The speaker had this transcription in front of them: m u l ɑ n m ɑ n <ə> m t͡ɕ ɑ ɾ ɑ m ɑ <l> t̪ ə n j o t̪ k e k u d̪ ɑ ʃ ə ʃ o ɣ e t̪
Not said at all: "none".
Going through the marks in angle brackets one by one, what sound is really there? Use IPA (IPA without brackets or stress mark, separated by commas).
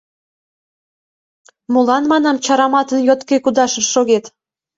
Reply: ɑ, none